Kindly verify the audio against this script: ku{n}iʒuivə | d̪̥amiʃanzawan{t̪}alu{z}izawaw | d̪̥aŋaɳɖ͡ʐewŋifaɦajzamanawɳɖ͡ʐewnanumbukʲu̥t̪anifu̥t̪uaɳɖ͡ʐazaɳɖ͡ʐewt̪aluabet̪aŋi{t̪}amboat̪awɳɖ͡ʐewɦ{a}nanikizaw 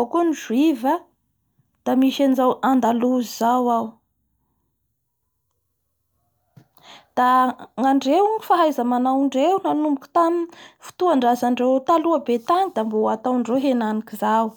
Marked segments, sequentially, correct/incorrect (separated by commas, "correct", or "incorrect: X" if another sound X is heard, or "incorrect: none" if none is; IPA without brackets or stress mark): correct, incorrect: d̪, correct, incorrect: d̪, incorrect: e